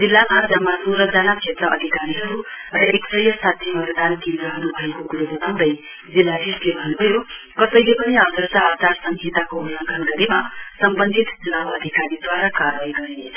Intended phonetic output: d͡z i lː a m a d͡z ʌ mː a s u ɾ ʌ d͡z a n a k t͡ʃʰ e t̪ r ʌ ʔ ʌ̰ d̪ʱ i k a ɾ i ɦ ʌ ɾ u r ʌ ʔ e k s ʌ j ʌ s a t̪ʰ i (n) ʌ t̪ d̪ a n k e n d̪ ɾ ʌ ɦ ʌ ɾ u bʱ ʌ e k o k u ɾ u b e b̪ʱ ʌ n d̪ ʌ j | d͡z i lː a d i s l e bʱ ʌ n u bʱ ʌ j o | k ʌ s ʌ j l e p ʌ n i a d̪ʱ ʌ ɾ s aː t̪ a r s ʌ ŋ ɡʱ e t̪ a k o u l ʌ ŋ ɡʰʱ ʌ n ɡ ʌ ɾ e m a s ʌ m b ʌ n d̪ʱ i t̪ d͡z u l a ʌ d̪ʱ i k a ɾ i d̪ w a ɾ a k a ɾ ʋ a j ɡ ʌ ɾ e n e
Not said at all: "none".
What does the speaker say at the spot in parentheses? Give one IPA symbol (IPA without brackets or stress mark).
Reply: m